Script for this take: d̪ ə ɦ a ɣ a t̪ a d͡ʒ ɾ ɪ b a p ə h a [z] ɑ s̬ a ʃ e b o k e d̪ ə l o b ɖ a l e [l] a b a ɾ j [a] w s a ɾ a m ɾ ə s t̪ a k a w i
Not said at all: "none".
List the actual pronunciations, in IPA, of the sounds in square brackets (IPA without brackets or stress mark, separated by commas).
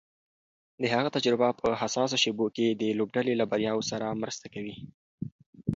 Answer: s, l, ɑ